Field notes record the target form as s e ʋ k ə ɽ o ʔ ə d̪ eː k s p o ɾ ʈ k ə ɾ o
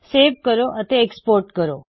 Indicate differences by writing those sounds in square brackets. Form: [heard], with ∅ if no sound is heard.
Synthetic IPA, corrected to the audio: s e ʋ k ə [ɾ] o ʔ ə [t̪] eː k s p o ɾ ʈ k ə ɾ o